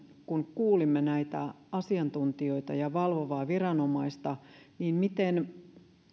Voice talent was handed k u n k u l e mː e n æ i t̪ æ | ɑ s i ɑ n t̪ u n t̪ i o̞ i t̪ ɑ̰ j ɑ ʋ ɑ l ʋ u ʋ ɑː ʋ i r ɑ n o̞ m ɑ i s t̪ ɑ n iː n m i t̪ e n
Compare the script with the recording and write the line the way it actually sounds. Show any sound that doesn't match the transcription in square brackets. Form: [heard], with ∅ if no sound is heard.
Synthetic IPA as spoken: k u n k [uː] l [i] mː e n æ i t̪ æ | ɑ s i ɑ n t̪ u n t̪ i o̞ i t̪ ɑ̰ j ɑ ʋ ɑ l ʋ [o] ʋ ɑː ʋ i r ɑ n o̞ m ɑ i s t̪ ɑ n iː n m i t̪ e n